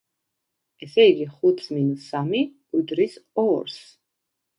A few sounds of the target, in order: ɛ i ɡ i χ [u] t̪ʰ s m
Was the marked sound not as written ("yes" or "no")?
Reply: no